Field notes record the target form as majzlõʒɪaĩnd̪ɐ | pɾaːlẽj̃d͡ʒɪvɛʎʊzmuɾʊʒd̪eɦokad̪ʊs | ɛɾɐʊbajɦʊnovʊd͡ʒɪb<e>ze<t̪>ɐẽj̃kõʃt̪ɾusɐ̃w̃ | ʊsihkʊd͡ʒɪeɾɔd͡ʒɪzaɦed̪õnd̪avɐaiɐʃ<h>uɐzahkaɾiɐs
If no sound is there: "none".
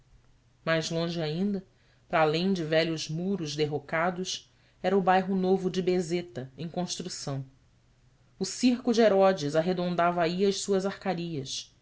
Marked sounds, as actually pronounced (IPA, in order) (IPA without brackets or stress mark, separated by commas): e, t̪, s